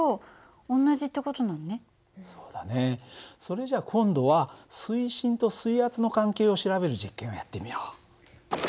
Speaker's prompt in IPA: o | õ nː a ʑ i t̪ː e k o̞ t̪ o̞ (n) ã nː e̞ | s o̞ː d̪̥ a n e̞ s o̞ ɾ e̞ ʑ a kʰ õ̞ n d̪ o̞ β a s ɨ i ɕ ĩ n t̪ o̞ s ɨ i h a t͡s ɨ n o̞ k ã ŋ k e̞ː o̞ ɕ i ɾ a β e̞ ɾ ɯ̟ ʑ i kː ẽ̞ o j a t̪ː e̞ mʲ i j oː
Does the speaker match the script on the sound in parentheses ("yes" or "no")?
yes